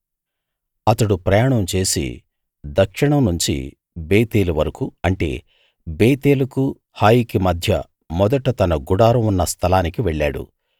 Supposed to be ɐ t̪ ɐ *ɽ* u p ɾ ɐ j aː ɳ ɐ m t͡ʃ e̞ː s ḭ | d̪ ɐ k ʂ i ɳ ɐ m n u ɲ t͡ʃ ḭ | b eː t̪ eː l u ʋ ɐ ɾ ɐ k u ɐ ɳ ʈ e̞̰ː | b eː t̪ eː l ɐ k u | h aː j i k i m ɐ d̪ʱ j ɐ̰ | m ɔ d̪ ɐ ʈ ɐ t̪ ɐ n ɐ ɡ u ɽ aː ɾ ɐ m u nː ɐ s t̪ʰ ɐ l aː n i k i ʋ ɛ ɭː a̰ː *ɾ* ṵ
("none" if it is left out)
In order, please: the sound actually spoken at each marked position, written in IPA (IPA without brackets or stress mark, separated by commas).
ɽ, ɽ